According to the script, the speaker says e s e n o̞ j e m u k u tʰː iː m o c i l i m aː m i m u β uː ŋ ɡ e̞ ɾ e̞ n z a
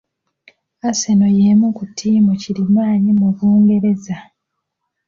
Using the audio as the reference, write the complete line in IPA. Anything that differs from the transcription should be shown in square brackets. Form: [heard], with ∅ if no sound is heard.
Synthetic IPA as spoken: [a] s e n o̞ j e m u k u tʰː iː m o c i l i m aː [ɲ] i m u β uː ŋ ɡ e̞ ɾ e̞ [∅] z a